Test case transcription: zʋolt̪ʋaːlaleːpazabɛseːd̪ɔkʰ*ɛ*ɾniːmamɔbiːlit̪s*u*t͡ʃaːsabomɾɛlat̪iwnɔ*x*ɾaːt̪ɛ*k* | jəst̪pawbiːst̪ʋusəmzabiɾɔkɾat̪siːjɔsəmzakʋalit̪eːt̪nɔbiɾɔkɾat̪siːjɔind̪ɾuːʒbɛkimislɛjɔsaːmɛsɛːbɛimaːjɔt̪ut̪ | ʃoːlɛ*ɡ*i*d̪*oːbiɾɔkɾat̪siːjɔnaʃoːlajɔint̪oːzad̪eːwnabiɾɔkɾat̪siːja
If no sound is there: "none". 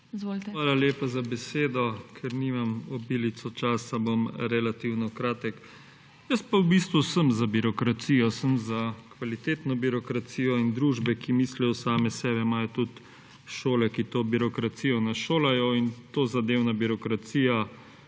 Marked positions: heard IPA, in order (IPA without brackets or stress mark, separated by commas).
ɛ, ɔ, k, k, k, t̪